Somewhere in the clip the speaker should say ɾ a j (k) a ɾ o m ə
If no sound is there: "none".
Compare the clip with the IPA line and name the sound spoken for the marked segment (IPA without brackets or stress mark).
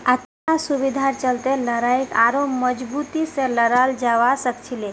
k